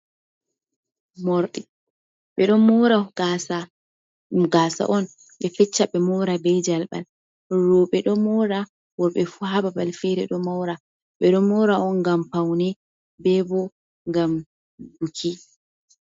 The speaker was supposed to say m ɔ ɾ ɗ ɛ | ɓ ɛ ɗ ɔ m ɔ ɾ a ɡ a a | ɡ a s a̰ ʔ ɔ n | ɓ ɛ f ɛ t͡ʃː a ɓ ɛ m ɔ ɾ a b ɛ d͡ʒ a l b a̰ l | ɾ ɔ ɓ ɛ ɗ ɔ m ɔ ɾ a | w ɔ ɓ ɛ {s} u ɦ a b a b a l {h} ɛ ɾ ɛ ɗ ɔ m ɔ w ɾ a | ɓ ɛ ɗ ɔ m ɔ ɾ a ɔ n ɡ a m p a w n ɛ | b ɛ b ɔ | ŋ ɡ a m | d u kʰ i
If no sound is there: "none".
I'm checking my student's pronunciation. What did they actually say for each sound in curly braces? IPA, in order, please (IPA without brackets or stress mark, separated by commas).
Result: f, f